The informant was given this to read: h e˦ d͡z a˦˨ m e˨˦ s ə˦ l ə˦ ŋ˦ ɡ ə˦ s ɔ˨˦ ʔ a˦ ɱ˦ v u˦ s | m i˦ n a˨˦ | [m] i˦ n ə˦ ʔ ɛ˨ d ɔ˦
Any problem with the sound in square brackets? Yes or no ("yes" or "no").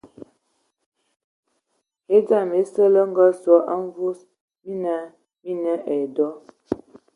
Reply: no